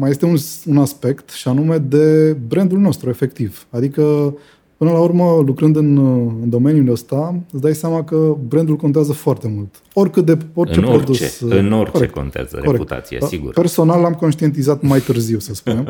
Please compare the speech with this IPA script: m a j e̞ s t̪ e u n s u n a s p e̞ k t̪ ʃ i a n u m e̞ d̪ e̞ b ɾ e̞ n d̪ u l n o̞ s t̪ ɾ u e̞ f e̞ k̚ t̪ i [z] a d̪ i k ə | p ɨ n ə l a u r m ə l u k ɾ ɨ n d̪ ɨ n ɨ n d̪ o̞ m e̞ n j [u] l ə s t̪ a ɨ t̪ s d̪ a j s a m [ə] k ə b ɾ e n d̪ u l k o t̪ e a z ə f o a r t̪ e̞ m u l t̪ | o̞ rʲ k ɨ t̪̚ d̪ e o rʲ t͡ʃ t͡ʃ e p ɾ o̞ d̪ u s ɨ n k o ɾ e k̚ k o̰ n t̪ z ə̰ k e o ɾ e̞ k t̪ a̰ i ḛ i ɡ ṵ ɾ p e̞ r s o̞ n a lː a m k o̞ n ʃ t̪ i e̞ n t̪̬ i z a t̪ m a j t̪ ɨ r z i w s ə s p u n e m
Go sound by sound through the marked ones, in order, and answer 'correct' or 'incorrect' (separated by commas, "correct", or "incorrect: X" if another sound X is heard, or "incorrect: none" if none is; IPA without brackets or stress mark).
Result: incorrect: v, correct, incorrect: a